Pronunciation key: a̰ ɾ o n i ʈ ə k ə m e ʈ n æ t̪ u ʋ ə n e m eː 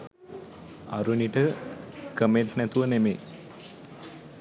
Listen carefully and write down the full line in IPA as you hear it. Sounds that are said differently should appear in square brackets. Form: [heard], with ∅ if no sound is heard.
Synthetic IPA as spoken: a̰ ɾ [u] n i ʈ ə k ə m e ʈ n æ t̪ u ʋ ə n e m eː